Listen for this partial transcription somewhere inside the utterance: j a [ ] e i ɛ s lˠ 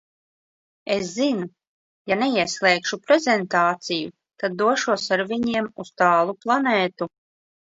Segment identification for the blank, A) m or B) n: B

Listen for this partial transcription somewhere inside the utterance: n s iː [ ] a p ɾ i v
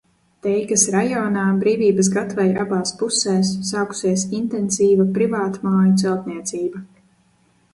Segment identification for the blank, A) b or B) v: B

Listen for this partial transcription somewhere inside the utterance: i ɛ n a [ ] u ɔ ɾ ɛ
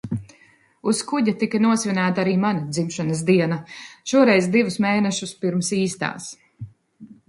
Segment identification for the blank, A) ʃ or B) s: A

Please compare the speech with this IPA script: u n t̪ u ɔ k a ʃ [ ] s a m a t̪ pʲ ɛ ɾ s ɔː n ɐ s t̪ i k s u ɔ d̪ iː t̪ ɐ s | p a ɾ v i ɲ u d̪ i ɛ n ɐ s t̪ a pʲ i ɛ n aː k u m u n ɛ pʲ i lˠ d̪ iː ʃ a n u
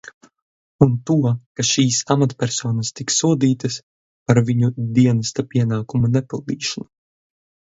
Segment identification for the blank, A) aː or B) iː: B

